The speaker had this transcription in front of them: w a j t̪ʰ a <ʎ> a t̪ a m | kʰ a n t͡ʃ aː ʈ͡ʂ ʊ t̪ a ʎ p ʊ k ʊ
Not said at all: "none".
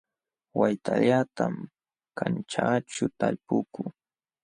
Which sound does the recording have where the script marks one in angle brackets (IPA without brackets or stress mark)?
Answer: ʎ